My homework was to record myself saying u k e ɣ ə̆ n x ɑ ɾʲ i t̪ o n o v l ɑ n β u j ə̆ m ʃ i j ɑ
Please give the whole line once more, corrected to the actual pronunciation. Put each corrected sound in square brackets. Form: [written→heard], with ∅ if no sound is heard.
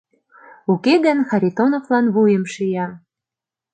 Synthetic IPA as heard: u k e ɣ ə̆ n x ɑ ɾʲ i t̪ o n o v l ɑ n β u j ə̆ m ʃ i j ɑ